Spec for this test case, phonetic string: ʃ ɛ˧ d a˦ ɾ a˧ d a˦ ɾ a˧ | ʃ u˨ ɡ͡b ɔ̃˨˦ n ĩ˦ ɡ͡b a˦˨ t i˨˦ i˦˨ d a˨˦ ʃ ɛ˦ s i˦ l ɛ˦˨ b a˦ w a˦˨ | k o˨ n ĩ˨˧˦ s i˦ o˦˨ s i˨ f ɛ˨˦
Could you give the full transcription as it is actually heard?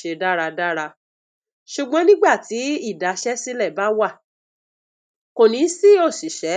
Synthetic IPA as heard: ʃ e˧ d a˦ ɾ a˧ d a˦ ɾ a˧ | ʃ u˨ ɡ͡b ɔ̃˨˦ n ĩ˦ ɡ͡b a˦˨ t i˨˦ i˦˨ d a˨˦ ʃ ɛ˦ s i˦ l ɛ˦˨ b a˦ w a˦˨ | k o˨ n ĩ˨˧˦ s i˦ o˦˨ s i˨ ʃ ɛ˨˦